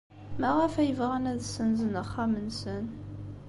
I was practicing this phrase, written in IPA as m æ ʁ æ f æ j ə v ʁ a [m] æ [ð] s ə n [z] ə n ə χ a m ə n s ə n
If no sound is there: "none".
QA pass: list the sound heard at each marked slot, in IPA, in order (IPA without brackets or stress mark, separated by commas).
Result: n, ð, z